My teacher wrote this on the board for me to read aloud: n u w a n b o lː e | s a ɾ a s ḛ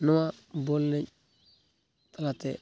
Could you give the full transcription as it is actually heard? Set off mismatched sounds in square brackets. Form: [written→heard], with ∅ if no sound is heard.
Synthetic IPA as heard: n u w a [n→∅] b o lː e | [s→t] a [ɾ→l] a [s→t] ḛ